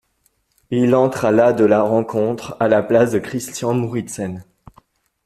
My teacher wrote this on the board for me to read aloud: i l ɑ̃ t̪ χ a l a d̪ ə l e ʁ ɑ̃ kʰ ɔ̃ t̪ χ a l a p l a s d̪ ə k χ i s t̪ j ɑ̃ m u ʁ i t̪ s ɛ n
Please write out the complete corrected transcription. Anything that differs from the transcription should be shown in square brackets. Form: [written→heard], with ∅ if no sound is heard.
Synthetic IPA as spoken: i l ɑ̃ t̪ χ a l a d̪ ə l [e→a] ʁ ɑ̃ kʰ ɔ̃ t̪ χ a l a p l a s d̪ ə k χ i s t̪ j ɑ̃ m u ʁ i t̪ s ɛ n